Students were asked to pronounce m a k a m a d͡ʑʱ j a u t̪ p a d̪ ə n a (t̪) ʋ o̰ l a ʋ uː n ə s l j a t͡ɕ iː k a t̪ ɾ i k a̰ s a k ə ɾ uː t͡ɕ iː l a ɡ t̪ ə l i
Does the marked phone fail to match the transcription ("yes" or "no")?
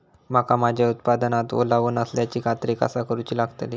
no